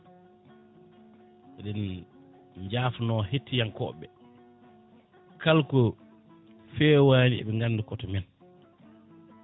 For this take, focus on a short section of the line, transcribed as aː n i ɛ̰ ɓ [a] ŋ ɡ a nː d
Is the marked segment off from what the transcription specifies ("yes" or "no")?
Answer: yes